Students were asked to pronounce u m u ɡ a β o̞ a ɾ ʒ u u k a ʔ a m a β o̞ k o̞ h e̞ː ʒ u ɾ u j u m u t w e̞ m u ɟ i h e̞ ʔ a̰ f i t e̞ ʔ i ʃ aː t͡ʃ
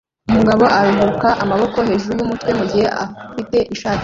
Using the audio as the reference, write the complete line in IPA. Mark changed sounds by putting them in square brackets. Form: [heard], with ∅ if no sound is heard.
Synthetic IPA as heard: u m u ɡ a β o̞ a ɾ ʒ u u k a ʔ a m a β o̞ k o̞ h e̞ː ʒ u ɾ u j u m u t w e̞ m u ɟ i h e̞ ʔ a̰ f i t e̞ ʔ i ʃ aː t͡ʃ